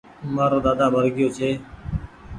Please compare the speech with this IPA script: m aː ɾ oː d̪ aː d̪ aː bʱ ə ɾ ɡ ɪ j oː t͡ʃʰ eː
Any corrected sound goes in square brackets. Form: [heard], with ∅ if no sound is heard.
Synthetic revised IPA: m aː ɾ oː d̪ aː d̪ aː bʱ ə ɾ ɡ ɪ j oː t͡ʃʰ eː